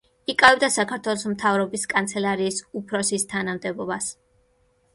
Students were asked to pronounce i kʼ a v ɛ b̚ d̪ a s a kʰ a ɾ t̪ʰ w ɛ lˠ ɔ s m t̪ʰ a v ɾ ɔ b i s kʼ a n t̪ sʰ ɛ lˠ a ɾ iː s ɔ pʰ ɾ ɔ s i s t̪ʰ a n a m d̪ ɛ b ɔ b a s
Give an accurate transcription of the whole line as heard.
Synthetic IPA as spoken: i kʼ a v ɛ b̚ d̪ a s a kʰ a ɾ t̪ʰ w ɛ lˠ ɔ s m t̪ʰ a v ɾ ɔ b i s kʼ a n t̪ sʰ ɛ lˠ a ɾ iː s u pʰ ɾ ɔ s i s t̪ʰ a n a m d̪ ɛ b ɔ b a s